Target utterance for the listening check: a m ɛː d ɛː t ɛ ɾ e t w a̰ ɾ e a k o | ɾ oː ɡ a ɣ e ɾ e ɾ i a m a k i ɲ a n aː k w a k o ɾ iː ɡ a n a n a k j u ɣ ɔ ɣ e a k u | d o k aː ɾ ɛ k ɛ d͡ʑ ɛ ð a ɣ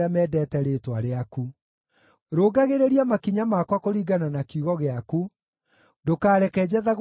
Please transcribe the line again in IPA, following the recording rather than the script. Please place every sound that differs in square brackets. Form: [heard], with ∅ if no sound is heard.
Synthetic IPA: a m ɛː d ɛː t ɛ ɾ e t w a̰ ɾ e a k [u] | ɾ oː ɡ a ɣ e ɾ e ɾ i a m a k i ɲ a [m] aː k w a k o ɾ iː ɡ a n a n a k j u ɣ ɔ ɣ e a k u | d o k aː ɾ ɛ k ɛ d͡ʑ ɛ ð a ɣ

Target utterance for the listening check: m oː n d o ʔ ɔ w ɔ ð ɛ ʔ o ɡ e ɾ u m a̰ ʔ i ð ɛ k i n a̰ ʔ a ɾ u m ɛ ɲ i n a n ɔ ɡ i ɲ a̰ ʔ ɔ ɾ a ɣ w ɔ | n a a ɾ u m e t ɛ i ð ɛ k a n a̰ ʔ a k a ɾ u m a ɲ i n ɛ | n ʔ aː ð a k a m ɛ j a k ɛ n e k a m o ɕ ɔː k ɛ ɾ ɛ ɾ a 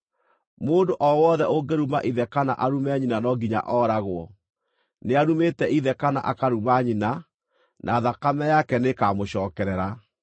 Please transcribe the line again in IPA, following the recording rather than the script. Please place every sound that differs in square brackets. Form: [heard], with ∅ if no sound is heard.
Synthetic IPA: m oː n d o ʔ ɔ w ɔ ð ɛ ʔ o ɡ e ɾ u m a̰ ʔ i ð ɛ k [a] n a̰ ʔ a ɾ u m ɛ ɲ i n a n ɔ ɡ i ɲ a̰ ʔ ɔ ɾ a ɣ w ɔ | n [e] a ɾ u m e t ɛ i ð ɛ k a n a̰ ʔ a k a ɾ u m a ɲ i n [a] | n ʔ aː ð a k a m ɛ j a k ɛ n e k a m o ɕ ɔː k ɛ ɾ ɛ ɾ a

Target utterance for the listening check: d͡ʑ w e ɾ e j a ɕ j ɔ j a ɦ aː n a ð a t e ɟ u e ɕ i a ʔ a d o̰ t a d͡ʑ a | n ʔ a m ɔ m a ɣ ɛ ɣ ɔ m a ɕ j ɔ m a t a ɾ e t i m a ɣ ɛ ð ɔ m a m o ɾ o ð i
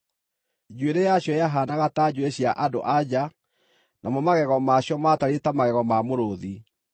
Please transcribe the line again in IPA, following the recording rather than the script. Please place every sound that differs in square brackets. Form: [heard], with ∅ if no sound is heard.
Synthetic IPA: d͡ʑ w e ɾ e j a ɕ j ɔ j a ɦ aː n a [ɣ] a t [a] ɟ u e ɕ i a ʔ a d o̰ [ʔ] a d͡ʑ a | n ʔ a m ɔ m a ɣ ɛ ɣ ɔ m a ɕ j ɔ m a t a ɾ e t [a] m a ɣ ɛ [ɣ] ɔ m a m o ɾ o ð i

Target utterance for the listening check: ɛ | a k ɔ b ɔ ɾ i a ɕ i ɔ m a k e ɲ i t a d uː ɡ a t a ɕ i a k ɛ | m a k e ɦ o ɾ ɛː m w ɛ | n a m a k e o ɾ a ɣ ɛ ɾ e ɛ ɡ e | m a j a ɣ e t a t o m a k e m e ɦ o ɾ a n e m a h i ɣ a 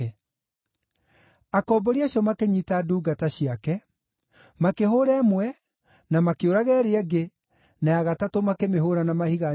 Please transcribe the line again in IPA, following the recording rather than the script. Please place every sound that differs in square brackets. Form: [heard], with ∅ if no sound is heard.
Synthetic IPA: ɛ | a k ɔ b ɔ ɾ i a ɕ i ɔ m a k e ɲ i t a d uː ɡ a t a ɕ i a k ɛ | m a k e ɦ o ɾ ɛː m w ɛ | n a m a k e o ɾ a ɣ ɛ ɾ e ɛ ɡ e | [n] a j a ɣ [a] t a t o m a k e m e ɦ o ɾ a n [a] m a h i ɣ a

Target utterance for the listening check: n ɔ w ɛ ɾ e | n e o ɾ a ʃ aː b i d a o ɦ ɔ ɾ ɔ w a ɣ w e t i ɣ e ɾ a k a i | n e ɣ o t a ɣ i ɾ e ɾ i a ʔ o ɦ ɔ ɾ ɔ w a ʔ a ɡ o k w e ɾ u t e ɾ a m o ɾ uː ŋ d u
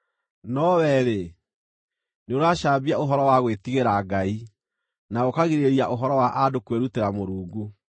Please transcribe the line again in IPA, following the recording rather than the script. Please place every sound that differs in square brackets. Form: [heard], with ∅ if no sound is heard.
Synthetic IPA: n ɔ w ɛ ɾ e | n e o ɾ a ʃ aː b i [∅] a o ɦ ɔ ɾ ɔ w a ɣ w e t i ɣ e ɾ a [ɡ] a i | n [a] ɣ o [k] a ɣ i ɾ e ɾ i a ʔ o ɦ ɔ ɾ ɔ w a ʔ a [d] o k w e ɾ u t e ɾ a m o ɾ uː ŋ [ɡ] u

